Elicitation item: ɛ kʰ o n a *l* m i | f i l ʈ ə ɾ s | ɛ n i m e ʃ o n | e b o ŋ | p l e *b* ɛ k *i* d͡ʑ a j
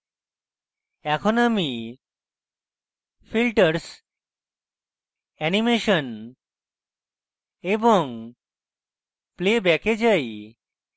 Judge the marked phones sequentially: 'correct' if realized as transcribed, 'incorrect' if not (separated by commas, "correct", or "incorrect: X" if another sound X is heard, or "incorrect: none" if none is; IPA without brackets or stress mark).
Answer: incorrect: none, correct, incorrect: e